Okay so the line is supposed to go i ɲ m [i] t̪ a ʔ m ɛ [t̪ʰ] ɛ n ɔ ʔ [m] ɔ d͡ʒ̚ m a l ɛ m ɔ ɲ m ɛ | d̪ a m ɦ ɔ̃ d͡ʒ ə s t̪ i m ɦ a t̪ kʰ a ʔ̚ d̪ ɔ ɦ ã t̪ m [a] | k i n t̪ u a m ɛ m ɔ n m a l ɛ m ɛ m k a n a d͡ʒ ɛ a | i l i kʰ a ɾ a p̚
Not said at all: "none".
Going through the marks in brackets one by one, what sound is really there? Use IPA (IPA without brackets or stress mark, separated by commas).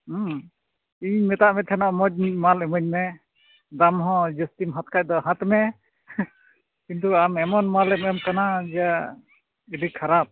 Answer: ɛ, t̪ʰ, m, ɛ